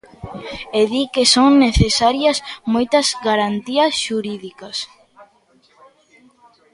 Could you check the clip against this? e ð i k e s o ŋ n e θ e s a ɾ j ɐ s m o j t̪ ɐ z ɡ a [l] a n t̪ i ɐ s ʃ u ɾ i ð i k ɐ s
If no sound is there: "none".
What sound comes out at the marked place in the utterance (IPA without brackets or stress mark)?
ɾ